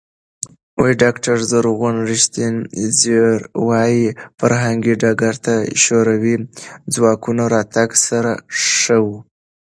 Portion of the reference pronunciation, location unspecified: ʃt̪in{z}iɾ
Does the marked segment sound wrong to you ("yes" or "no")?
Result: no